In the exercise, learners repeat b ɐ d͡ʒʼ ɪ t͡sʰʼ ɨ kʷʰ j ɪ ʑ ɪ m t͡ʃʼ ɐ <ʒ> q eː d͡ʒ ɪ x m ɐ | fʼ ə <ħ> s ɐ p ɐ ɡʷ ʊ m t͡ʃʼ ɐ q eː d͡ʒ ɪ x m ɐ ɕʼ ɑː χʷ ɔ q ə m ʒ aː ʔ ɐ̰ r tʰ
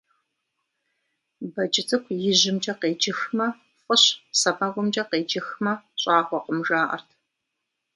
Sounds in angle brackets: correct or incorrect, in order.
incorrect: none, incorrect: ɕ

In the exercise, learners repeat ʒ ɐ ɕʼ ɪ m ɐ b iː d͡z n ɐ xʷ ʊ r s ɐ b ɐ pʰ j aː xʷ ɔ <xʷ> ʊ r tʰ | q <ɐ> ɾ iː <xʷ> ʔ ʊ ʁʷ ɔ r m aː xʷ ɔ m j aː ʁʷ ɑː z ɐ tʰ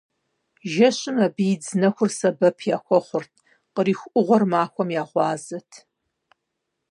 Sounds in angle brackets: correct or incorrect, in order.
incorrect: χʷ, incorrect: ə, correct

